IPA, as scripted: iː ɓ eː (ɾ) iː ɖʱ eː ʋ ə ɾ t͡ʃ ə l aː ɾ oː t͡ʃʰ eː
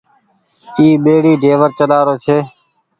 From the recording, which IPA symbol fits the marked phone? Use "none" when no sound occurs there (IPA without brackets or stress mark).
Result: ɽ